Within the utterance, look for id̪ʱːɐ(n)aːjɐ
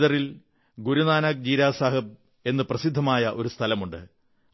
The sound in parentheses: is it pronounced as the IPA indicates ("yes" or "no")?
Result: no